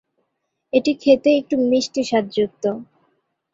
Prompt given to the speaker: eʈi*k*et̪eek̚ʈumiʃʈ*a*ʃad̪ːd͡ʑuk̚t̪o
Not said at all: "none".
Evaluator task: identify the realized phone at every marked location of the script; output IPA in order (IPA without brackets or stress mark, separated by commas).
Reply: kʰ, i